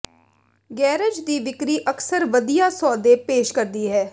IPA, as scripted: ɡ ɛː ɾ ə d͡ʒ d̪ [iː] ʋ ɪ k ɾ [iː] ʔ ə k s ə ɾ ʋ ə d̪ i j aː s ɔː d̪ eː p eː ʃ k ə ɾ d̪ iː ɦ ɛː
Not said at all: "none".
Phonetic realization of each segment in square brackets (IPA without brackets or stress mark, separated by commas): iː, iː